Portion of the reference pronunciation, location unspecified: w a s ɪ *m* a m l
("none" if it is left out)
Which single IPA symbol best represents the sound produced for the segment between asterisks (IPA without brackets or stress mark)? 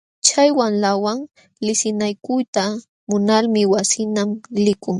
n